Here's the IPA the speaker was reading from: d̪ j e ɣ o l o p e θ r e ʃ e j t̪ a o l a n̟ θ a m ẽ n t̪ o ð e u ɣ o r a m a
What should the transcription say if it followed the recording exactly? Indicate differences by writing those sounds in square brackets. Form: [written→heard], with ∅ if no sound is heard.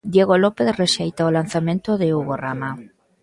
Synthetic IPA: d̪ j e ɣ o l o p e θ r e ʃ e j t̪ a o l a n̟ θ a m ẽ n t̪ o ð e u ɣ o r a m a

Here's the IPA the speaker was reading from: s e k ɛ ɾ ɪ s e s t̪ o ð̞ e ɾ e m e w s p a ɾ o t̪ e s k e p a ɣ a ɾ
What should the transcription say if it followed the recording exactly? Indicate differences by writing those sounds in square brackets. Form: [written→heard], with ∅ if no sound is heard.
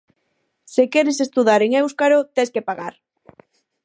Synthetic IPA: s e k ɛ ɾ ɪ s e s t̪ [o→u] ð̞ [e→a] ɾ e [m→ŋ] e w s [p→k] a ɾ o t̪ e s k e p a ɣ a ɾ

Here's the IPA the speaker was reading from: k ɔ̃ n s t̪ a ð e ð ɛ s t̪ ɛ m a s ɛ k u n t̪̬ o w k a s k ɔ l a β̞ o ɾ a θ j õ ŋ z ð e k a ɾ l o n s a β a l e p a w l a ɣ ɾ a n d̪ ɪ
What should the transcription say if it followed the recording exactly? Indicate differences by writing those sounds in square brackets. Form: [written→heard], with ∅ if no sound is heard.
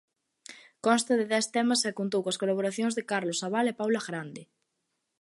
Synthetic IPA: k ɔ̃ n s t̪ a ð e ð ɛ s t̪ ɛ m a s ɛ k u n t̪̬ o w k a s k [ɔ→o] l a β̞ o ɾ a θ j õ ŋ z ð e k a ɾ l o [n→∅] s a β a l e p a w l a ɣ ɾ a n d̪ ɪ

